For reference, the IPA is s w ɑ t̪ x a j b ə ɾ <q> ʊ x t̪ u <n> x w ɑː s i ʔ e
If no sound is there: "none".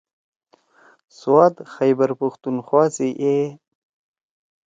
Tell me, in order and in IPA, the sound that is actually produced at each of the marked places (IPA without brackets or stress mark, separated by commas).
p, n